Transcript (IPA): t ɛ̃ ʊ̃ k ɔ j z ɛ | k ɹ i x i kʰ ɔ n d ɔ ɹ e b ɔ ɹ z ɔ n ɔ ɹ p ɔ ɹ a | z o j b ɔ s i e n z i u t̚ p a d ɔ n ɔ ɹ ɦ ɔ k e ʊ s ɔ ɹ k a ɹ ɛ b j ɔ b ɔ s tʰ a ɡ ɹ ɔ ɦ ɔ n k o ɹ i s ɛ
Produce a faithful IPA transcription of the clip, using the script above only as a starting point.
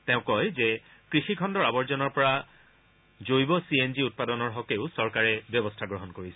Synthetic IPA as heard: t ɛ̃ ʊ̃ k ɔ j z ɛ | k ɹ i x i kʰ ɔ n d ɔ ɹ a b ɔ ɹ z ɔ n ɔ ɹ p ɔ ɹ a | z o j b ɔ s i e n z i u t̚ p a d ɔ n ɔ ɹ ɦ ɔ k e ʊ s ɔ ɹ k a ɹ ɛ b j ɔ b ɔ s tʰ a ɡ ɹ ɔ ɦ ɔ n k o ɹ i s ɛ